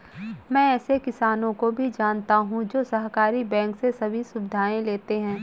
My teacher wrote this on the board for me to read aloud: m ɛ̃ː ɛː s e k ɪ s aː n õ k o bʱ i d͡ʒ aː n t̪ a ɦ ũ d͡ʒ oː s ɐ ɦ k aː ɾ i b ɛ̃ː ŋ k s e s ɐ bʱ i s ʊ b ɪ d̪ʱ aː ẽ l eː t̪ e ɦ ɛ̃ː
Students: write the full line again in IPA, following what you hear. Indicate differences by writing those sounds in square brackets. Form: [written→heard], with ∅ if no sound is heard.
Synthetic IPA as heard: m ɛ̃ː ɛː s e k ɪ s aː n õ k o bʱ i d͡ʒ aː n t̪ a ɦ ũ d͡ʒ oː s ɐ ɦ k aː ɾ i b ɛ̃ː ŋ k s e s ɐ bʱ i s ʊ b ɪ d̪ʱ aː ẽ l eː t̪ e ɦ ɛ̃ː